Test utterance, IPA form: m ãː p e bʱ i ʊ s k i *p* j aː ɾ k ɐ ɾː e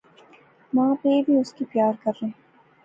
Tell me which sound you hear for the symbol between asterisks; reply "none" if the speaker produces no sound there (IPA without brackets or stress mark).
p